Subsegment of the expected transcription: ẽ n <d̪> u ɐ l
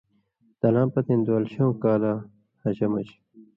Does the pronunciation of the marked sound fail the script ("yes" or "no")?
no